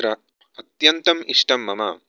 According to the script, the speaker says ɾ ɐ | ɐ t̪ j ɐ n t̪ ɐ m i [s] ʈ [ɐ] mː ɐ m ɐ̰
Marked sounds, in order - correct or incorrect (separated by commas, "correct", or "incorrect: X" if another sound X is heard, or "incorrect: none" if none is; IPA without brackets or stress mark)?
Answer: incorrect: ʂ, correct